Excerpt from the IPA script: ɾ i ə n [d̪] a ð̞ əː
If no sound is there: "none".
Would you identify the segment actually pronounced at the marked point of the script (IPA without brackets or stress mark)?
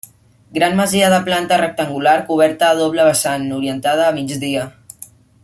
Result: t̪